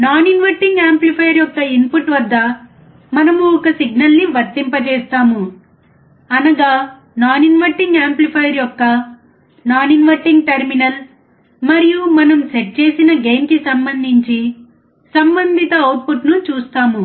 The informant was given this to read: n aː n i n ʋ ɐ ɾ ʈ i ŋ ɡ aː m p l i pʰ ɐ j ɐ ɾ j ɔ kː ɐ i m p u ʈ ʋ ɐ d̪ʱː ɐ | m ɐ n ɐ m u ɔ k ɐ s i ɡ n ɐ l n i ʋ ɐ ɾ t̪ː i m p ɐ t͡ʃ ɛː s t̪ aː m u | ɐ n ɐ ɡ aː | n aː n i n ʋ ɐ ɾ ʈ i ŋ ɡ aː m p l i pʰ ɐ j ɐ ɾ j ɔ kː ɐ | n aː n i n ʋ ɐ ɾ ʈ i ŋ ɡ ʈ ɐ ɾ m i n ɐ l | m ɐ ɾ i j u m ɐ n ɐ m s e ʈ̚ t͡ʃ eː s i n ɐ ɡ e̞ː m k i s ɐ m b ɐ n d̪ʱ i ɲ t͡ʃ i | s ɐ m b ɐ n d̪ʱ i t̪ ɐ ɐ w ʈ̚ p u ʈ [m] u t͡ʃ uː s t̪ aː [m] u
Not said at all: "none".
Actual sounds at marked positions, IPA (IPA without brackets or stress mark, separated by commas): n, m